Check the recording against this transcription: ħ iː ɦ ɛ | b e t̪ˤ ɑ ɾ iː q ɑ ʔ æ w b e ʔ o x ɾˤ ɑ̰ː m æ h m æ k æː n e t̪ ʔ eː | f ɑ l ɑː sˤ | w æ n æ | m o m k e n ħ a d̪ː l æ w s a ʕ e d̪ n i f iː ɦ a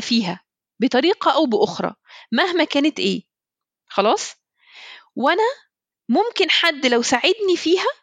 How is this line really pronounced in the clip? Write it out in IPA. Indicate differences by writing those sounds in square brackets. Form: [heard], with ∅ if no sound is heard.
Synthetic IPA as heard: [f] iː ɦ [æ] | b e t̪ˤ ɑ ɾ iː q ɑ ʔ æ w b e ʔ o x ɾˤ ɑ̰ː m æ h m æ k æː n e t̪ ʔ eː | [x] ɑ l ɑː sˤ | w æ n æ | m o m k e n ħ a d̪ː l æ w s a ʕ e d̪ n i f iː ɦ [æ]